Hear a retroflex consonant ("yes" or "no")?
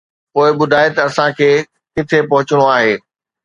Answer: yes